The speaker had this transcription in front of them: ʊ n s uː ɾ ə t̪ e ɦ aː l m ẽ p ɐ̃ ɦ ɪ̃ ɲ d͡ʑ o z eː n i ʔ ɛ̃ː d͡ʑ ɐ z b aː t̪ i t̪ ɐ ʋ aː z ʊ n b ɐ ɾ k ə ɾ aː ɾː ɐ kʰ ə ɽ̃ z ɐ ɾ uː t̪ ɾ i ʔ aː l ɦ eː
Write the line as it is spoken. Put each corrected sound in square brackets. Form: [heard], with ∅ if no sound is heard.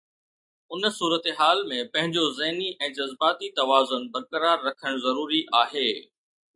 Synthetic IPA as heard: ʊ n s uː ɾ ə t̪ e ɦ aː l m ẽ p ɐ̃ ɦ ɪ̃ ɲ d͡ʑ o z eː n i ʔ ɛ̃ː d͡ʑ ɐ z b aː t̪ i t̪ ɐ ʋ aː z ʊ n b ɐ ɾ k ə ɾ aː ɾː ɐ kʰ ə ɽ̃ z ɐ ɾ uː [∅] ɾ i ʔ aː [∅] ɦ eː